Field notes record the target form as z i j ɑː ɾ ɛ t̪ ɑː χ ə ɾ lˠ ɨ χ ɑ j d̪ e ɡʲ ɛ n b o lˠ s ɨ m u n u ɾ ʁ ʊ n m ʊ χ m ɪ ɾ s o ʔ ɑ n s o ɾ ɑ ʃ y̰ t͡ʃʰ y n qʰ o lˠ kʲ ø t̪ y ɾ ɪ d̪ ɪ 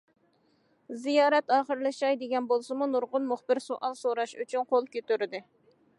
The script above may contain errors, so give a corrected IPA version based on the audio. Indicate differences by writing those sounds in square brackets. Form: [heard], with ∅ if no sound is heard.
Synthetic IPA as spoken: z i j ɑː ɾ ɛ t̪ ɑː χ ə ɾ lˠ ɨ [ʃ] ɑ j d̪ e ɡʲ ɛ n b o lˠ s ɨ m u n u ɾ ʁ ʊ n m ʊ χ [b] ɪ ɾ s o ʔ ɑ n s o ɾ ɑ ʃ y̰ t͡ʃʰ y n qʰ o lˠ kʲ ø t̪ y ɾ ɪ d̪ ɪ